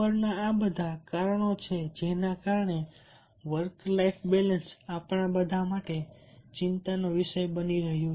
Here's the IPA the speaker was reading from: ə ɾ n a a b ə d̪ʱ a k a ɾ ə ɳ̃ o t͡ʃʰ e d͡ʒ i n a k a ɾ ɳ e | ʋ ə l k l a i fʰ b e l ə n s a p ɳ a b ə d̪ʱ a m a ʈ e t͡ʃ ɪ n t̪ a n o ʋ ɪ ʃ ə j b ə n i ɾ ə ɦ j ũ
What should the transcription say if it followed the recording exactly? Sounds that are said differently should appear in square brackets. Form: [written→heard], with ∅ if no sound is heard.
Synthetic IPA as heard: ə ɾ n a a b ə d̪ʱ a k a ɾ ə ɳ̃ o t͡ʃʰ e d͡ʒ [i→e] n a k a ɾ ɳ e | ʋ ə [l→ɾ] k l a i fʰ b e l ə n s a p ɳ a b ə d̪ʱ a m a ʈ e t͡ʃ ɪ n t̪ a n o ʋ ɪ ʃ ə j b ə n i ɾ ə ɦ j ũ

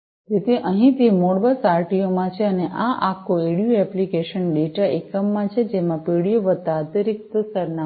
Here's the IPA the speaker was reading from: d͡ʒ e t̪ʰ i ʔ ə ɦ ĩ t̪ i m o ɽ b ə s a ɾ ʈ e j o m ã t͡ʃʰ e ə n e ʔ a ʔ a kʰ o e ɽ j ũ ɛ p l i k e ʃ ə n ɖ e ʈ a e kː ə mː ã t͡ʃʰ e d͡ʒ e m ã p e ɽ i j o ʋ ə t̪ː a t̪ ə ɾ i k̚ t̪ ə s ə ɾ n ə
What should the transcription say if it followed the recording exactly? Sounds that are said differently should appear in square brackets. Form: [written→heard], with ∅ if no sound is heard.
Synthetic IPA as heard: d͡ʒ e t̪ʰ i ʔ ə ɦ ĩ t̪ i m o ɽ b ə s a ɾ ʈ [e→i] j o m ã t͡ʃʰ e ə n e ʔ a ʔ a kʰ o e ɽ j [ũ→u] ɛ p l i k e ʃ ə n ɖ e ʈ a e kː ə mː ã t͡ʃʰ e d͡ʒ e m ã p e ɽ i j o ʋ ə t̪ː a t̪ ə ɾ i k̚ t̪ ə s ə ɾ n [ə→a]

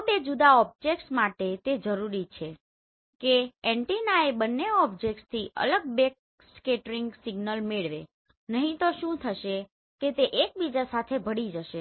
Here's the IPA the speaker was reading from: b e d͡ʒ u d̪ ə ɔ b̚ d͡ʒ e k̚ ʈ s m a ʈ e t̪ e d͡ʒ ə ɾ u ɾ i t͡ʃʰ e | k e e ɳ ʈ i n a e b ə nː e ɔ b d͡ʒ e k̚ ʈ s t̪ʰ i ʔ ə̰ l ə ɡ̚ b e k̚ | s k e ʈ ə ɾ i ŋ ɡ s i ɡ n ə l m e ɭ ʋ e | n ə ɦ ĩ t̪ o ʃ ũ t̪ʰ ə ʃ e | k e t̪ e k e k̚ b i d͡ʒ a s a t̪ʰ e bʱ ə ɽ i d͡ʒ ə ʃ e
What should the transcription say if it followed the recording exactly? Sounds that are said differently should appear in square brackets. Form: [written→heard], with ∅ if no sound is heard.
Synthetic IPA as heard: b e d͡ʒ u d̪ [ə→a] ɔ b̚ d͡ʒ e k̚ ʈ s m a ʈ e t̪ e d͡ʒ ə ɾ u ɾ i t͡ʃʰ e | k e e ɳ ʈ i n a e b ə nː e ɔ b d͡ʒ e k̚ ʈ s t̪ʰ i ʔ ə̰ l ə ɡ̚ b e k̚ | s k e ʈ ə ɾ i ŋ ɡ s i ɡ n ə l m e ɭ ʋ e | n ə ɦ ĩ t̪ o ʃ ũ t̪ʰ ə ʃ e | k e t̪ e [k→ʔ] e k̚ b i d͡ʒ a s a t̪ʰ e bʱ ə ɽ i d͡ʒ ə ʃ e

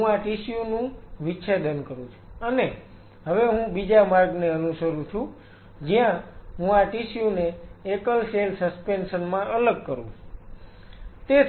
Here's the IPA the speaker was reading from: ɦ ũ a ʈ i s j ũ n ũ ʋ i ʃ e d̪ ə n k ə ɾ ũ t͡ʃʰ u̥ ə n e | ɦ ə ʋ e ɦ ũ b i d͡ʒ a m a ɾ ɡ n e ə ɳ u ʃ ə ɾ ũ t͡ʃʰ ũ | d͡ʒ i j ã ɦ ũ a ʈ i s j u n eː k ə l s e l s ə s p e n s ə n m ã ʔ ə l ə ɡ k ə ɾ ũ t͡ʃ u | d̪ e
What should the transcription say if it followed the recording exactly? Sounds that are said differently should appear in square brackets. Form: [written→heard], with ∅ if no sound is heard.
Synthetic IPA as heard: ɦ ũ a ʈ i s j [ũ→u] n ũ ʋ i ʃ e d̪ ə n k ə ɾ ũ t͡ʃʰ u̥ ə n e | ɦ ə ʋ e ɦ ũ b i d͡ʒ a m a ɾ ɡ n e ə [ɳ→n] u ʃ ə ɾ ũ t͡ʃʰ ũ | d͡ʒ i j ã ɦ ũ a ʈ i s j u n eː k ə l s e l s ə s p e n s ə n m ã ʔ ə l ə ɡ k ə ɾ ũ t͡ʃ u | [d̪→t̪] e

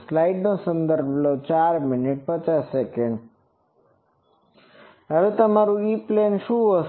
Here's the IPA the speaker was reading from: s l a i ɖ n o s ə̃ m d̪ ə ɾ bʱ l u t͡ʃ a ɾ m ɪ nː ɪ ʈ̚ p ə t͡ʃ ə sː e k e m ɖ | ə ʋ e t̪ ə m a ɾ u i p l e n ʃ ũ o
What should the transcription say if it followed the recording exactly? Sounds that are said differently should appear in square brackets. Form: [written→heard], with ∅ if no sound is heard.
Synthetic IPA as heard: s l a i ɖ n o s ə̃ [m→n] d̪ ə ɾ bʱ l [u→o] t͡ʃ a ɾ m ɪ [nː→n] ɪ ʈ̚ p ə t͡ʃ [ə→a] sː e k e [m→ɳ] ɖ | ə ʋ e t̪ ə m a ɾ u i p l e n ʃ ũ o

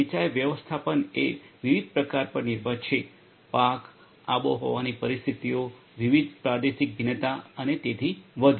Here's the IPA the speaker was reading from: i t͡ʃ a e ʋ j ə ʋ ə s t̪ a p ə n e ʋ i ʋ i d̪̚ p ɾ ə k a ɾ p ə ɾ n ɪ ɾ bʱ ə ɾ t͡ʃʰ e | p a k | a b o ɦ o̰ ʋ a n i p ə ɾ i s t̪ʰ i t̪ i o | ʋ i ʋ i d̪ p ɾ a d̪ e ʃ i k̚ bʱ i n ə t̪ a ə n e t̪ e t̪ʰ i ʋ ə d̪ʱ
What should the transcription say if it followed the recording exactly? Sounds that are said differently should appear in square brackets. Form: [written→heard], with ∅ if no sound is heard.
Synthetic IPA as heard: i t͡ʃ a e ʋ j ə ʋ ə s [t̪→t̪ʰ] a p ə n e ʋ i ʋ i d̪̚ p ɾ ə k a ɾ p ə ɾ n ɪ ɾ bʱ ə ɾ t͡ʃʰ e | p a k | a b o ɦ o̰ ʋ a n i p ə ɾ i s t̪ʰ i t̪ i o | ʋ i ʋ i d̪ p ɾ a d̪ e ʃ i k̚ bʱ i n ə t̪ a ə n e t̪ e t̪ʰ i ʋ ə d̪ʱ

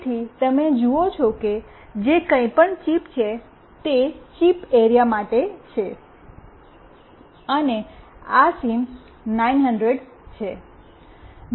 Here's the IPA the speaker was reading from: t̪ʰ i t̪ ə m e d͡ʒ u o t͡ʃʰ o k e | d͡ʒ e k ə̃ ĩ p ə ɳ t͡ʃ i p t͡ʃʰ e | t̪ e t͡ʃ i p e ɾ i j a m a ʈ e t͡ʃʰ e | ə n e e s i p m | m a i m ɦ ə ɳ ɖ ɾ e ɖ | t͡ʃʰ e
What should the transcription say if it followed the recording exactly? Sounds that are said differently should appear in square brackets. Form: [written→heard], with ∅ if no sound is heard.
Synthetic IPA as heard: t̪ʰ i t̪ ə m e d͡ʒ u o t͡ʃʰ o k e | d͡ʒ e k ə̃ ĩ p ə ɳ t͡ʃ i p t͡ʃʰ e | t̪ e t͡ʃ i p e ɾ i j a m a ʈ e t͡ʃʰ e | ə n e [e→a] s i [p→∅] m | [m→n] a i [m→n] ɦ ə ɳ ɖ ɾ e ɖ | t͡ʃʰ e

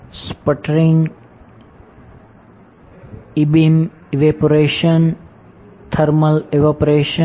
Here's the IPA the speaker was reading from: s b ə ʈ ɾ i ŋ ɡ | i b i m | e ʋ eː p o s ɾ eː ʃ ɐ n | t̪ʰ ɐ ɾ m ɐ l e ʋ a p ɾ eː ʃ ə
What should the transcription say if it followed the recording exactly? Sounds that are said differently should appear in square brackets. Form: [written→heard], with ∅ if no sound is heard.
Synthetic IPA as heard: s [b→p] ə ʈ ɾ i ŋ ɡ | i b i m | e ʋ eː p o [s→∅] ɾ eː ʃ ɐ n | t̪ʰ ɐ ɾ m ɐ l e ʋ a p ɾ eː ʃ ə

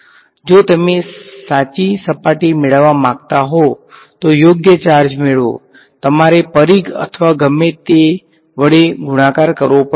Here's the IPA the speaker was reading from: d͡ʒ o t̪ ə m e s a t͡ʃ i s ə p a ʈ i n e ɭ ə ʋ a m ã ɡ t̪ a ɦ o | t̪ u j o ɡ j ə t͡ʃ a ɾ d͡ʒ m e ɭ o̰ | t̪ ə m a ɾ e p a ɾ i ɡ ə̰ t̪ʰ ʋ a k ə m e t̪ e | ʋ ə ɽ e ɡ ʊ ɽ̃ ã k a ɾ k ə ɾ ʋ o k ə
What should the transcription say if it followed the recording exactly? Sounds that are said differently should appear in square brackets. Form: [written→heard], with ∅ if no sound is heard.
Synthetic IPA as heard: d͡ʒ o t̪ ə m e s a t͡ʃ i s ə p a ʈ i [n→m] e ɭ ə ʋ a m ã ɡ t̪ a ɦ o | t̪ [u→o] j o ɡ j ə t͡ʃ a ɾ d͡ʒ m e ɭ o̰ | t̪ ə m a ɾ e p [a→ə] ɾ i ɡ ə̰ t̪ʰ ʋ a [k→ɡ] ə m e t̪ e | ʋ ə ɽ e ɡ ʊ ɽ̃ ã k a ɾ k ə ɾ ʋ o [k→p] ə

